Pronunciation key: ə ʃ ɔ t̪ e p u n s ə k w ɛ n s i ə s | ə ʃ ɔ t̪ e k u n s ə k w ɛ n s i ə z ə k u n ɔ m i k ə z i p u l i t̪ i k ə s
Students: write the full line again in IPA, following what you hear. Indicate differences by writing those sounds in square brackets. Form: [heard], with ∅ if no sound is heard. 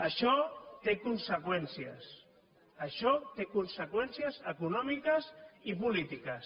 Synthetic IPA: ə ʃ ɔ t̪ e [k] u n s ə k w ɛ n s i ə s | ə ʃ ɔ t̪ e k u n s ə k w ɛ n s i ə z ə k u n ɔ m i k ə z i p u l i t̪ i k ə s